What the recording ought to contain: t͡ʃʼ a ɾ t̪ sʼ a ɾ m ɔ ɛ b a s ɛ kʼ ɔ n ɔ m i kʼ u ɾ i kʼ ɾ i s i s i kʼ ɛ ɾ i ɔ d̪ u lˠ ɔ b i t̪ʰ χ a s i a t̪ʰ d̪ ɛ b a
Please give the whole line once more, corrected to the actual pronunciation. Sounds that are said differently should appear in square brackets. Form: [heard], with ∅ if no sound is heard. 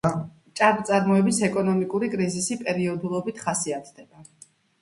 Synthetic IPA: t͡ʃʼ a ɾ t̪ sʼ a ɾ m ɔ ɛ b [i] s ɛ kʼ ɔ n ɔ m i kʼ u ɾ i kʼ ɾ i [z] i s i [pʼ] ɛ ɾ i ɔ d̪ u lˠ ɔ b i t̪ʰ χ a s i a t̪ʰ d̪ ɛ b a